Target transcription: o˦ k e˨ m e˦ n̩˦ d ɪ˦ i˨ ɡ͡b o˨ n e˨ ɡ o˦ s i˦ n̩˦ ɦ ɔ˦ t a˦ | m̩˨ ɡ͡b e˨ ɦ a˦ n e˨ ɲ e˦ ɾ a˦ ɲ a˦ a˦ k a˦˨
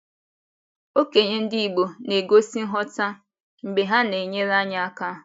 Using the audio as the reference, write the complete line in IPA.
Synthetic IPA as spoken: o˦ k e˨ ɲ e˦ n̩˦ d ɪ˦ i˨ ɡ͡b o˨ n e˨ ɡ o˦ s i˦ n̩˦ ɦ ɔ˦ t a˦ | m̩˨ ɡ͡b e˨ ɦ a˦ n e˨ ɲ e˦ ɾ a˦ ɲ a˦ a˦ k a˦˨